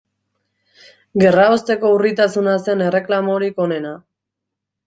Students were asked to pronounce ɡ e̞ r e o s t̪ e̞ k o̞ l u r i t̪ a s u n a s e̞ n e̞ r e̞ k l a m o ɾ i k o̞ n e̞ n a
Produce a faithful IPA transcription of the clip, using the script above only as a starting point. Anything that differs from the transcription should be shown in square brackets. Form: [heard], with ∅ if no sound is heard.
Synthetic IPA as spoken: ɡ e̞ r [a] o s t̪ e̞ k o̞ [∅] u r i t̪ a s u n a s e̞ n e̞ r e̞ k l a m o ɾ i k o̞ n e̞ n a